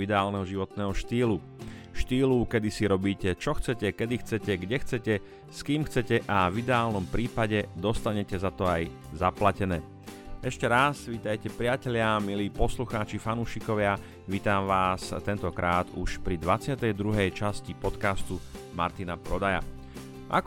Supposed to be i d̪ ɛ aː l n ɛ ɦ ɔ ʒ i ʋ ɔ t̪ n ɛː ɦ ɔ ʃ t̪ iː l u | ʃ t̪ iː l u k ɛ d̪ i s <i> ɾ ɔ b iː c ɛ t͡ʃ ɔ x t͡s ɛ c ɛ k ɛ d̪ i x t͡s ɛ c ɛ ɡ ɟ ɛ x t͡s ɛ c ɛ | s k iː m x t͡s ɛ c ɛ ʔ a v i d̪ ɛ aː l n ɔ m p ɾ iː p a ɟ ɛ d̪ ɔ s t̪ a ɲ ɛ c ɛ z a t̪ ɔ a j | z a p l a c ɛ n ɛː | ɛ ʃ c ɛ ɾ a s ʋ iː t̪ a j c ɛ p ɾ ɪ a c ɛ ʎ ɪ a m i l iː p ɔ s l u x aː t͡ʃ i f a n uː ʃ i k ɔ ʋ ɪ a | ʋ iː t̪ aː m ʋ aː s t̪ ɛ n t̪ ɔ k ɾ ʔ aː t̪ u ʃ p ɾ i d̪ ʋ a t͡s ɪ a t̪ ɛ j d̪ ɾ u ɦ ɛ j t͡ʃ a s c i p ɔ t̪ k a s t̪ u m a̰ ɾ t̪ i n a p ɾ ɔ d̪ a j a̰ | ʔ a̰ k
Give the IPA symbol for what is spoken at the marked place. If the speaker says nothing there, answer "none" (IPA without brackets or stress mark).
i